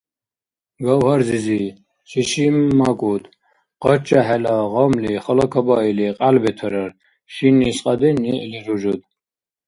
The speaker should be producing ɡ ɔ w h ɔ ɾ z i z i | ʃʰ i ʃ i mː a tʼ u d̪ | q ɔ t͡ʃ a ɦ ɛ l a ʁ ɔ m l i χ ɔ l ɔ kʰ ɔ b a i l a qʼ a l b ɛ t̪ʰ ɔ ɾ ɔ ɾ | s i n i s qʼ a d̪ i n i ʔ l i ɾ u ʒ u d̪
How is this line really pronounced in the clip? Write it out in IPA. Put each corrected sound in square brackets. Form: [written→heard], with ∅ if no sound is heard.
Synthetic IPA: ɡ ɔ w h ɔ ɾ z i z i | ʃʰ i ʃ i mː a [tʼ→kʼ] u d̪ | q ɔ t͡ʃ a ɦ ɛ l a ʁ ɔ m l i χ ɔ l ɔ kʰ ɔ b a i l [a→i] qʼ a l b ɛ t̪ʰ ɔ ɾ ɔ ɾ | [s→ʃ] i n i s qʼ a d̪ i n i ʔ l i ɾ u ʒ u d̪